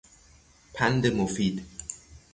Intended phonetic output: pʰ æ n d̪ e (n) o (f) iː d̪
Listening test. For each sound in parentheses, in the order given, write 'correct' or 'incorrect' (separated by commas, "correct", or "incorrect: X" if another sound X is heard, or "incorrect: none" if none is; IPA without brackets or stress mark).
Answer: incorrect: m, correct